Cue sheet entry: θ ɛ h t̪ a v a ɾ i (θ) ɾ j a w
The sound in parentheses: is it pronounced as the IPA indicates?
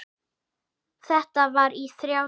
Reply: yes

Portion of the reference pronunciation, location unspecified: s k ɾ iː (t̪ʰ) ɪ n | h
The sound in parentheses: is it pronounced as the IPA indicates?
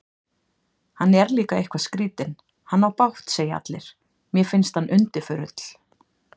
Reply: no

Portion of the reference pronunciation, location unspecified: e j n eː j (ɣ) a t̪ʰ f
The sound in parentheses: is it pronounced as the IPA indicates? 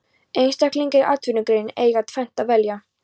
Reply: yes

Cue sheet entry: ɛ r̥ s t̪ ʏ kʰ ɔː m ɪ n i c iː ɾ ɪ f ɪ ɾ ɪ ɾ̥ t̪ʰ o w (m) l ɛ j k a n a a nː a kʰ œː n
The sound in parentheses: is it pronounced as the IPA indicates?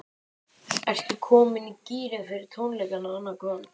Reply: no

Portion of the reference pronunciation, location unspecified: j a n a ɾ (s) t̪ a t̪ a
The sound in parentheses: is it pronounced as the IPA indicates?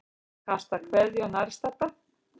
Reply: yes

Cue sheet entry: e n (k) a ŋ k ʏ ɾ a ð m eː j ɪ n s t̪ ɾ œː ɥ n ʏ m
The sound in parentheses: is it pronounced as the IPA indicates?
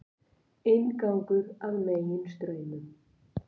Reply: yes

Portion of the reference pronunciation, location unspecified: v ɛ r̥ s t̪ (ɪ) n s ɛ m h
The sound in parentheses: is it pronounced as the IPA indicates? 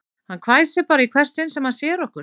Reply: yes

